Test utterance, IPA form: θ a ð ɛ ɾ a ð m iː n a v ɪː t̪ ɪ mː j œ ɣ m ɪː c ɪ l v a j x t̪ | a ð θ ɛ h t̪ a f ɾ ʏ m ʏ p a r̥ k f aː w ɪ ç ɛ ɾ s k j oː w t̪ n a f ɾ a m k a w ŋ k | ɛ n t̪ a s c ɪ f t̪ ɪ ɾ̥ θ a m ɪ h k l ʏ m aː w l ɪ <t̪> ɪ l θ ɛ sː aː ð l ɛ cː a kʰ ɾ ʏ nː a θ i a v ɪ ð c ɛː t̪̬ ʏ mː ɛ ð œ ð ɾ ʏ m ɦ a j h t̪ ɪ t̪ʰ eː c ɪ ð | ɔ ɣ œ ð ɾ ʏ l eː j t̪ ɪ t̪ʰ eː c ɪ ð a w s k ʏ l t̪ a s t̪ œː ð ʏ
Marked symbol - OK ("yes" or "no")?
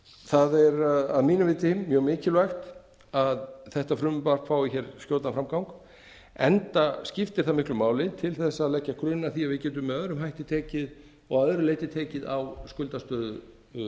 no